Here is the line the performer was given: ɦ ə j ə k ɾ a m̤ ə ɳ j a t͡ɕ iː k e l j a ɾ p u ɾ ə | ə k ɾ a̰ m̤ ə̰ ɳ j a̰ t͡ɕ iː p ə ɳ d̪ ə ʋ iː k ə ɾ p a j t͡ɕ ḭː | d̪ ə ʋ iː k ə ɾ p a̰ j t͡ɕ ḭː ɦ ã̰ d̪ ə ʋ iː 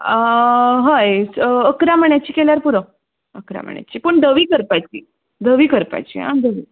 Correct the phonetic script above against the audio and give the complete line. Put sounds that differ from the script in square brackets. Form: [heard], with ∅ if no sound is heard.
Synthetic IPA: ɦ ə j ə k ɾ a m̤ ə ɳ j a t͡ɕ iː k e l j a ɾ p u ɾ ə | ə k ɾ a̰ m̤ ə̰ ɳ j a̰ t͡ɕ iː p ə ɳ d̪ ə ʋ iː k ə ɾ p a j t͡ɕ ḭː | d̪ ə ʋ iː k ə ɾ p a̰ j t͡ɕ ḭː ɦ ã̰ d̪ ə ʋ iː

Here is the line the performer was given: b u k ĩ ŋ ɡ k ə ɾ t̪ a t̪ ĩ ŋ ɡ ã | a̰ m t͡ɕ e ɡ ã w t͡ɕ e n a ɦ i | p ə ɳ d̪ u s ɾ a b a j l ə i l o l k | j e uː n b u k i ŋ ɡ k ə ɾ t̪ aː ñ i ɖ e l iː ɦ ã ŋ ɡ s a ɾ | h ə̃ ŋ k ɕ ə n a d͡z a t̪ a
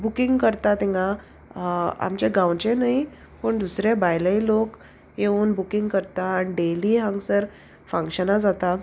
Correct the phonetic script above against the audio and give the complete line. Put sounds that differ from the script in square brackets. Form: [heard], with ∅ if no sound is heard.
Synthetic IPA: b u k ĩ ŋ ɡ k ə ɾ t̪ a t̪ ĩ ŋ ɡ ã | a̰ m t͡ɕ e ɡ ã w t͡ɕ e n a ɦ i | p ə ɳ d̪ u s ɾ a b a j l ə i l o [∅] k | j e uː n b u k i ŋ ɡ k ə ɾ t̪ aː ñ i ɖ e l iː ɦ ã ŋ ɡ s [ə] ɾ | [f] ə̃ ŋ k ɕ ə n a d͡z a t̪ a

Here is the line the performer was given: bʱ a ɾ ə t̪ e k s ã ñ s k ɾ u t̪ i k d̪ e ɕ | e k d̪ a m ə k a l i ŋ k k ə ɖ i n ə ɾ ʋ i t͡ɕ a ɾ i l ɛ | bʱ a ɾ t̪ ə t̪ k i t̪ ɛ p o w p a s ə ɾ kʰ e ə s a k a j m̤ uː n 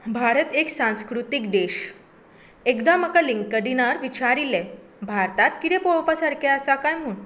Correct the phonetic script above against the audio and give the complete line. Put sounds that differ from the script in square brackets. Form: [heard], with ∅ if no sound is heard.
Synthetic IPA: bʱ a ɾ ə t̪ e k s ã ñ s k ɾ u t̪ i k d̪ e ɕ | e k d̪ a m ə k a l i ŋ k k ə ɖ i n [a] ɾ ʋ i t͡ɕ a ɾ i l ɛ | bʱ a ɾ t̪ [a] t̪ k i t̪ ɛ p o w p a s [a] ɾ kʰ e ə s a k a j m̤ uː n

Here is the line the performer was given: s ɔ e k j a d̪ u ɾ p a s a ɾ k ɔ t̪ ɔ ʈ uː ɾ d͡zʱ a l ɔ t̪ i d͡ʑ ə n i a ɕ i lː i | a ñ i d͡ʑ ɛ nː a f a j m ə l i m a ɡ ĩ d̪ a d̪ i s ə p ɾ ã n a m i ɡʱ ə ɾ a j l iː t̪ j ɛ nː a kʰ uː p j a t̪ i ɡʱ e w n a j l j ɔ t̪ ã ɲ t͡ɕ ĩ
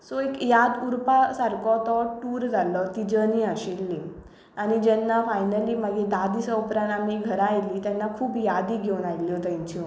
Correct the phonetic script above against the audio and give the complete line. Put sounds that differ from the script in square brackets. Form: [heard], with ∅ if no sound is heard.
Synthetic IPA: s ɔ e k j a d̪ u ɾ p a s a ɾ k ɔ t̪ ɔ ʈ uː ɾ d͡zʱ a l ɔ t̪ i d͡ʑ ə n i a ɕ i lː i | a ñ i d͡ʑ ɛ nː a f a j [n] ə l i m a ɡ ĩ d̪ a d̪ i s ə p ɾ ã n a m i ɡʱ ə ɾ a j l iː t̪ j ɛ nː a kʰ uː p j a [d̪] i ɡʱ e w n a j l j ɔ t̪ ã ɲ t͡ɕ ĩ

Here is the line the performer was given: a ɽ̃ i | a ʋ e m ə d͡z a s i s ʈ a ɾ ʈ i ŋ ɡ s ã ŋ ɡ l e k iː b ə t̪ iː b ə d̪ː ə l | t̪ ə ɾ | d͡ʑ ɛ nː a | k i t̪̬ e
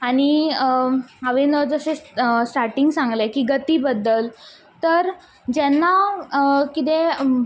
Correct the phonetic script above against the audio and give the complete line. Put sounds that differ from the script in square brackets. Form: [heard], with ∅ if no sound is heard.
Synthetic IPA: a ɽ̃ i | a ʋ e [n] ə d͡z [ə] s [e] s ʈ a ɾ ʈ i ŋ ɡ s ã ŋ ɡ l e k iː [ɡ] ə t̪ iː b ə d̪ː ə l | t̪ ə ɾ | d͡ʑ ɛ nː a | k i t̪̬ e

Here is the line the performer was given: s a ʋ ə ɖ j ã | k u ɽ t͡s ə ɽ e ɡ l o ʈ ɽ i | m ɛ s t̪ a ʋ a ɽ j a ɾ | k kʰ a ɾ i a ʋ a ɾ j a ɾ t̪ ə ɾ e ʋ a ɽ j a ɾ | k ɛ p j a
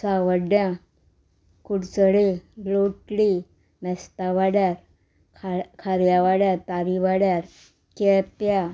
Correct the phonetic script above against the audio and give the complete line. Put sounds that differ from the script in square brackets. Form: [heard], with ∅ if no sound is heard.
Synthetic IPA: s a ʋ ə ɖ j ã | k u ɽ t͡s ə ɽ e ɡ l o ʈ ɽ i | m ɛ s t̪ a ʋ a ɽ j a ɾ | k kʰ a ɾ [j] a ʋ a [ɽ] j a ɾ t̪ [a] ɾ [i] ʋ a ɽ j a ɾ | k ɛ p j a

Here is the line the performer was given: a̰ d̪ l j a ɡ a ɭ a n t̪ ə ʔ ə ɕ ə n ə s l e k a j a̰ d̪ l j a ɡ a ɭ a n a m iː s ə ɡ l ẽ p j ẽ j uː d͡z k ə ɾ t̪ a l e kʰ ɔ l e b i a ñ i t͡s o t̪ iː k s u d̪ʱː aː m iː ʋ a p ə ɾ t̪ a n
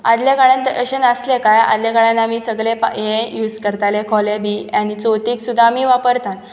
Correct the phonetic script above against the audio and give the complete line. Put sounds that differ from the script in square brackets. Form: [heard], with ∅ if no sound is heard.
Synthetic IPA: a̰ d̪ l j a ɡ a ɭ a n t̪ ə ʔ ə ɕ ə n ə s l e k a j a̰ d̪ l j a ɡ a ɭ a n a m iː s ə ɡ [ɭ] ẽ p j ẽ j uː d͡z k ə ɾ t̪ a l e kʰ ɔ l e b i a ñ i t͡s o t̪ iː k s u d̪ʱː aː m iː ʋ a p ə ɾ t̪ a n

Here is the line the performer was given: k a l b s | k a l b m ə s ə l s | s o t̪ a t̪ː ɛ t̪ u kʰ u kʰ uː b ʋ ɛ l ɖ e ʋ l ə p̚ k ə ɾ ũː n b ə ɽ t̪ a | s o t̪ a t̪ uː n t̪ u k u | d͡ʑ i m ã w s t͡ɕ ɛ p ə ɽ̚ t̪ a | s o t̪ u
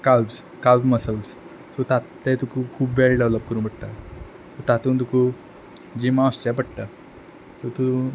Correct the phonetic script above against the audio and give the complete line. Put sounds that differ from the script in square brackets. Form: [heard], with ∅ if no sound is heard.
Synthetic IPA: k a l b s | k a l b m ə s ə l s | s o t̪ a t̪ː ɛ t̪ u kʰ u kʰ uː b ʋ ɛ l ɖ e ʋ l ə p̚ k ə ɾ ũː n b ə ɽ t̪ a | s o t̪ a t̪ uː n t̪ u k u | d͡ʑ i m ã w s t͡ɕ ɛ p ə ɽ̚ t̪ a | s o t̪ u

